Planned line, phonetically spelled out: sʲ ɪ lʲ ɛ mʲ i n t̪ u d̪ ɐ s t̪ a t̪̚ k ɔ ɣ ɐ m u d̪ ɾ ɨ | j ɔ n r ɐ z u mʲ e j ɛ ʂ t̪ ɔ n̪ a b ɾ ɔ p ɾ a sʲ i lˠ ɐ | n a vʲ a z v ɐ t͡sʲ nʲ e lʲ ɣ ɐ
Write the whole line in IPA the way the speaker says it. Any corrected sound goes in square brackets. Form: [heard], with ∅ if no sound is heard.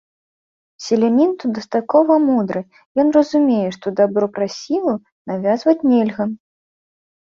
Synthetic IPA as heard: sʲ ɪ lʲ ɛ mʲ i n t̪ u d̪ ɐ s t̪ a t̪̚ k ɔ [v] ɐ m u d̪ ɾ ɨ | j ɔ n r ɐ z u mʲ e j ɛ ʂ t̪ ɔ [d̪] a b ɾ ɔ p ɾ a sʲ i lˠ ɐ | n a vʲ a z v ɐ t͡sʲ nʲ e lʲ ɣ ɐ